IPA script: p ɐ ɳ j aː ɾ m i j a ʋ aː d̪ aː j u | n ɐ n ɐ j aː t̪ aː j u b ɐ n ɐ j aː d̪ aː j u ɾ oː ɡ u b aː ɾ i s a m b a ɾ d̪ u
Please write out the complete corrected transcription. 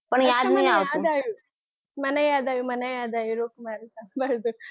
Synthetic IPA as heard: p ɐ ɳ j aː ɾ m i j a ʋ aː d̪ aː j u | m ɐ n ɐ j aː d̪ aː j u m ɐ n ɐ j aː d̪ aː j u ɾ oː k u m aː ɾ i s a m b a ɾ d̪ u